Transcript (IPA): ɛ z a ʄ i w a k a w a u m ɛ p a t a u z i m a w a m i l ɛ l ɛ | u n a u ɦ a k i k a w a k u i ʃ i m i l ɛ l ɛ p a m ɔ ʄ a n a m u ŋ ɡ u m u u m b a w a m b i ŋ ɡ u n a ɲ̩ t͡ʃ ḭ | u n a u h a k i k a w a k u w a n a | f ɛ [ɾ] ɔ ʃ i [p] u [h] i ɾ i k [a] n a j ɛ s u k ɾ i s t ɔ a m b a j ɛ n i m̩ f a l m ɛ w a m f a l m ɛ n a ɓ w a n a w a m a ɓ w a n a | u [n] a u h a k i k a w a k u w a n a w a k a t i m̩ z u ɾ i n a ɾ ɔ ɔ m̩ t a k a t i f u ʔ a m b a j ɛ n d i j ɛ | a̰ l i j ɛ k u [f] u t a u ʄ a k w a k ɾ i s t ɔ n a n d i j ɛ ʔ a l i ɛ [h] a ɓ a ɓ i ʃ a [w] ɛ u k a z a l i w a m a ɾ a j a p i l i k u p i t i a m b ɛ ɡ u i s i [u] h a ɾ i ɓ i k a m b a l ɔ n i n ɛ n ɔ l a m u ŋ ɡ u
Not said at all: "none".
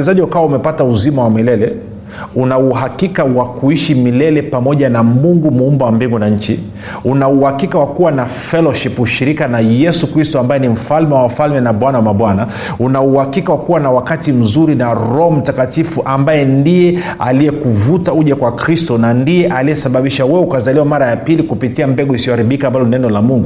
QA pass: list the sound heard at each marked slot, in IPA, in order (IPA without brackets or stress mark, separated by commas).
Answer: l, p, ʃ, a, n, v, s, w, ɔ